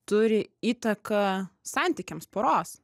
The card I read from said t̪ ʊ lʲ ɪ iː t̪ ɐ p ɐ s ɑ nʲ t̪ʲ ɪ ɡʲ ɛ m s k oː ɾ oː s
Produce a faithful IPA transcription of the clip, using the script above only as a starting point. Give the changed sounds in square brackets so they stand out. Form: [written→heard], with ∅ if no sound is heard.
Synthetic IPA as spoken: t̪ ʊ [lʲ→ɾʲ] ɪ iː t̪ ɐ [p→k] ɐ s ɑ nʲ t̪ʲ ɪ [ɡʲ→kʲ] ɛ m s [k→p] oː ɾ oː s